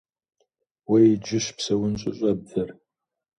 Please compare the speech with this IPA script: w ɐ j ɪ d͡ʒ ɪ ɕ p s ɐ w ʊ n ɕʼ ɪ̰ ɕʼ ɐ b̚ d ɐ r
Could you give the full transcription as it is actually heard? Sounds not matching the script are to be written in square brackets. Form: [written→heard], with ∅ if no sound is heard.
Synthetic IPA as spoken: w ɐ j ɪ d͡ʒ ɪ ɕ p s ɐ w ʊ n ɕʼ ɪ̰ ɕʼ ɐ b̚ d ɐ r